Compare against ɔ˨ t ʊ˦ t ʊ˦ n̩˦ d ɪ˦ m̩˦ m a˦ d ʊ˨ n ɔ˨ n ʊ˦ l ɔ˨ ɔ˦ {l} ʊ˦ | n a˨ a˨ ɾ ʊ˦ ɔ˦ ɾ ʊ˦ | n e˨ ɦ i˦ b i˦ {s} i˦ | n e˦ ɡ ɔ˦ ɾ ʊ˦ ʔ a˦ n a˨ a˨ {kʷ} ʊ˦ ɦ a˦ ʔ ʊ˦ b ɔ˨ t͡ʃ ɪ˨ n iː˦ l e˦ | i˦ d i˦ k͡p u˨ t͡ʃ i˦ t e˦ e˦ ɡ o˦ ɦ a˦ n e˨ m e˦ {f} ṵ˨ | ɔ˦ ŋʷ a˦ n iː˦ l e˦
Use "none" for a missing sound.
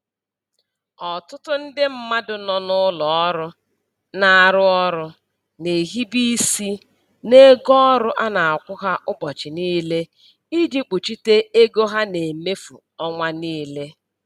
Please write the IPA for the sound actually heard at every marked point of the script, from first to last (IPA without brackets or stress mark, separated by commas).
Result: ɾ, s, kʷ, f